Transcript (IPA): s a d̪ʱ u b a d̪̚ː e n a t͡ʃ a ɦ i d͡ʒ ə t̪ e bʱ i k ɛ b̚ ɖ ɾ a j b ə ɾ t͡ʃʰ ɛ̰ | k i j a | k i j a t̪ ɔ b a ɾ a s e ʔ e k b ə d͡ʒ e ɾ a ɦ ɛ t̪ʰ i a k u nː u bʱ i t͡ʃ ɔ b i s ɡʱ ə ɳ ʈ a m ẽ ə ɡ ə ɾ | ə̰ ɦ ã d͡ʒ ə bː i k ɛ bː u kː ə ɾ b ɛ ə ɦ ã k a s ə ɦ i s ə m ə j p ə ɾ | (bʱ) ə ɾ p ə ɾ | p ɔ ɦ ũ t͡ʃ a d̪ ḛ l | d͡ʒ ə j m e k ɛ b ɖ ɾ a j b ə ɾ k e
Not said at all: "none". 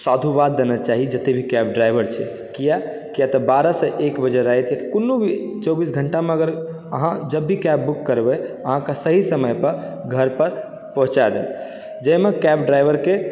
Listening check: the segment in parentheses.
ɡʱ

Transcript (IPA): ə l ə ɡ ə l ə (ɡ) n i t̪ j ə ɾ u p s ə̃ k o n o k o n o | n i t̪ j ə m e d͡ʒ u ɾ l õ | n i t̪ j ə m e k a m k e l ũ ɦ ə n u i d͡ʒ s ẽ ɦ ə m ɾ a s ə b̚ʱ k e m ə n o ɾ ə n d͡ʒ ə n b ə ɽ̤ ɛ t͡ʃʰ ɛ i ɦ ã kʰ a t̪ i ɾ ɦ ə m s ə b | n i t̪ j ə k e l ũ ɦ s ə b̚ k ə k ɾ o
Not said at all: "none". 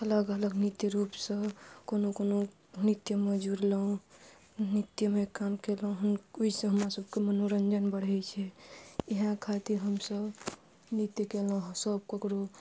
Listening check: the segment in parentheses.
ɡ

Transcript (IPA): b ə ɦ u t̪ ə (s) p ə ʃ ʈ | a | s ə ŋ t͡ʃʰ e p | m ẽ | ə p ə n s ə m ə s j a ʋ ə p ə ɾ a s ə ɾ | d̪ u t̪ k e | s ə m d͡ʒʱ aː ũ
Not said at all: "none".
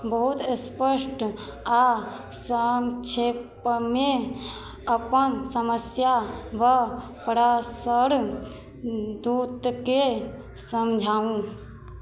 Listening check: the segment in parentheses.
s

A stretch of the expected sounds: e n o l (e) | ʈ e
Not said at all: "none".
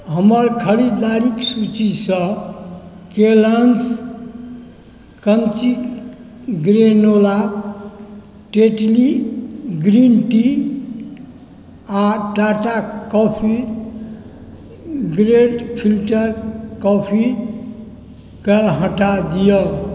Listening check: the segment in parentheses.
a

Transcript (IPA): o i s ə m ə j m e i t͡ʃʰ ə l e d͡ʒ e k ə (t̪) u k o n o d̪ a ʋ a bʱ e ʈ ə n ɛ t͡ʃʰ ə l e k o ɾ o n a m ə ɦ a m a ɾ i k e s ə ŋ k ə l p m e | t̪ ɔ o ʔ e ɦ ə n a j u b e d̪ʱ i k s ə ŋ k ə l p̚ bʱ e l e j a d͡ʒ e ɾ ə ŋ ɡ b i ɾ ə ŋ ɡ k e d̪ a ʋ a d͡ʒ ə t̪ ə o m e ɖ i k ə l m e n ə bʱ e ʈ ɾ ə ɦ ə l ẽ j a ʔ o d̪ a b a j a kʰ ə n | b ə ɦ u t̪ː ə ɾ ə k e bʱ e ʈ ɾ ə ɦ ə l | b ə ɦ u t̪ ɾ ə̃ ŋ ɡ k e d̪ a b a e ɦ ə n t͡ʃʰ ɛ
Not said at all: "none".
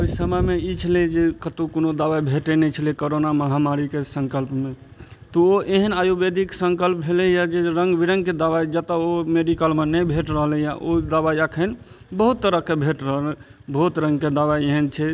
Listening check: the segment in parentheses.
t̪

